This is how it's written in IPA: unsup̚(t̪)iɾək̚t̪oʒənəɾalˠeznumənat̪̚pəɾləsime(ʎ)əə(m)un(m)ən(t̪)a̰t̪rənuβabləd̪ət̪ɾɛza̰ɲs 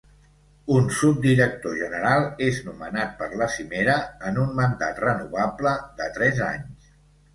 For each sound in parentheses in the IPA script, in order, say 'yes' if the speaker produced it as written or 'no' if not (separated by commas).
no, no, no, yes, no